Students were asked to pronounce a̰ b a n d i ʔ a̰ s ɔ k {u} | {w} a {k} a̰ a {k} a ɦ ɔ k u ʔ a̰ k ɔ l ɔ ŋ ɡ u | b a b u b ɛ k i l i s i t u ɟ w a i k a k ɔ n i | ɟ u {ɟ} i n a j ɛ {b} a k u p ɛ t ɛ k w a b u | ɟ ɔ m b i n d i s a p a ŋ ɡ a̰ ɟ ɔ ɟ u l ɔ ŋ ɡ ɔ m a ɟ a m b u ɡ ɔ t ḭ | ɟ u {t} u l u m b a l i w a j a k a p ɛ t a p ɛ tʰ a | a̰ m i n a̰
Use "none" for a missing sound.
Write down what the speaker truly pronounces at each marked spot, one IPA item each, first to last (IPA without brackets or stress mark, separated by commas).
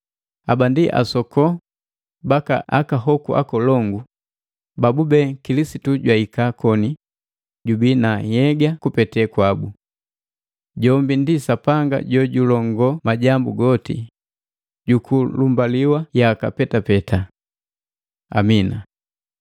ɔ, b, k, k, b, ɡ, k